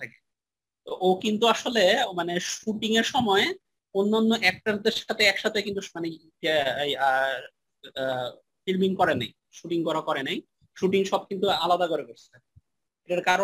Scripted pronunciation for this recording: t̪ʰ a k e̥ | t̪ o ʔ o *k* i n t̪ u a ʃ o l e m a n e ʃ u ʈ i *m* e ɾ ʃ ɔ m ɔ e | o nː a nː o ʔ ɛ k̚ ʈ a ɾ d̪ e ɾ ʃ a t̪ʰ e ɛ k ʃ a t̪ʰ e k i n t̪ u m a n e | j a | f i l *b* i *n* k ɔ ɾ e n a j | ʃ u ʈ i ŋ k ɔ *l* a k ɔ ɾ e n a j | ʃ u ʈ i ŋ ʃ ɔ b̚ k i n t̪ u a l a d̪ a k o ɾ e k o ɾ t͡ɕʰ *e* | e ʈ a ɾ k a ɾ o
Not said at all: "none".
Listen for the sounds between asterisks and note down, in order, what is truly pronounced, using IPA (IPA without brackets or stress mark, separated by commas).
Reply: k, ŋ, m, ŋ, ɾ, e